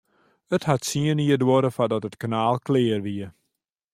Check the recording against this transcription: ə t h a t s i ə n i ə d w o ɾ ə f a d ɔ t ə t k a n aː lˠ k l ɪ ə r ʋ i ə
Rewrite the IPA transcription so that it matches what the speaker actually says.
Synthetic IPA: ə t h a t s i ə n i ə d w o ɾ ə f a d ɔ t ə t k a n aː lˠ k l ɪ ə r ʋ i ə